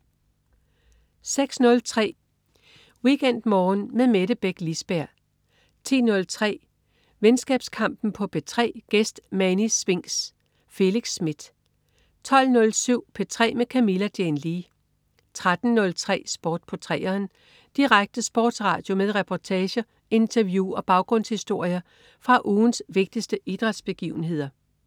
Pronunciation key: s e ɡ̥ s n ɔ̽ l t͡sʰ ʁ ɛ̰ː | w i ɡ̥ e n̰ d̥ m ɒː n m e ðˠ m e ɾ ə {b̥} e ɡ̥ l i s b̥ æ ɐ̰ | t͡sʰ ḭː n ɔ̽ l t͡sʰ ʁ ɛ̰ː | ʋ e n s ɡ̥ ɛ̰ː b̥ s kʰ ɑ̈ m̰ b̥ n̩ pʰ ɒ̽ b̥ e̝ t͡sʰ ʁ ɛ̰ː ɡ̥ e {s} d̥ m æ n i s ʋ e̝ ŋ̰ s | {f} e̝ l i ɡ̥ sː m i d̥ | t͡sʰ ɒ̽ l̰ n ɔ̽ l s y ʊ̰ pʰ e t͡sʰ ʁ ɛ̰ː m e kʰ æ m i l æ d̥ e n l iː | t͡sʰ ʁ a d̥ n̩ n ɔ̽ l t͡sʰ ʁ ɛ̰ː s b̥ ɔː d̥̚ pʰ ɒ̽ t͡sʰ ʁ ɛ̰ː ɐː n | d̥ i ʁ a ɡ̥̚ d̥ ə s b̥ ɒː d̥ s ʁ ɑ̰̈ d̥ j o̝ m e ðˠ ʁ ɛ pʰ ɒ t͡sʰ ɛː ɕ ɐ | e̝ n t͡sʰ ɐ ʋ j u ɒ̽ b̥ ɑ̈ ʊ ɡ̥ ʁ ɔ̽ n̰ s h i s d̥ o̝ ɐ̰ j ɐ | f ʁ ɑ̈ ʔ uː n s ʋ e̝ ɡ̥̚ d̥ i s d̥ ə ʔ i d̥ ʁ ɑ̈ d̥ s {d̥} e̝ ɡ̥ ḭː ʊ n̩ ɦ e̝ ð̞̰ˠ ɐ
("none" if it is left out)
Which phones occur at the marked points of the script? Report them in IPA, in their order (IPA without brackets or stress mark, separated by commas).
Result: b̥, s, f, b̥